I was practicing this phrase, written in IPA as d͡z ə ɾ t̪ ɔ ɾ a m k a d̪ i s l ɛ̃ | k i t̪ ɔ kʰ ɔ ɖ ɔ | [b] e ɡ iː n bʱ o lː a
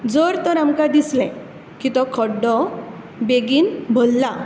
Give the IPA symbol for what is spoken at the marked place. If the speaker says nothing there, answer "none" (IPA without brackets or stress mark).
b